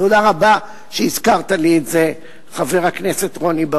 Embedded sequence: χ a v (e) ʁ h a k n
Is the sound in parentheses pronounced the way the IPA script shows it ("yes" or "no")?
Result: yes